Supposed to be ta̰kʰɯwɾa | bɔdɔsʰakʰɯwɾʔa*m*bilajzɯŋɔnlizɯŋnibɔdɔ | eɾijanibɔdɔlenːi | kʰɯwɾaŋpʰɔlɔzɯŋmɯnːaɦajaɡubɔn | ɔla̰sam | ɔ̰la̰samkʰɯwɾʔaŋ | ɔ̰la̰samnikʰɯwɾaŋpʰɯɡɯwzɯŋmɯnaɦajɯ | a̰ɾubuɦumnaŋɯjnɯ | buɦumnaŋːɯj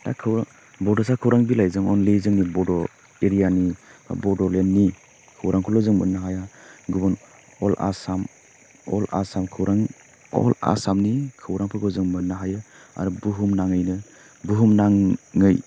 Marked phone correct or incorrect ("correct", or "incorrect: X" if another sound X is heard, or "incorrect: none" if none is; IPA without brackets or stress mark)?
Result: incorrect: ŋ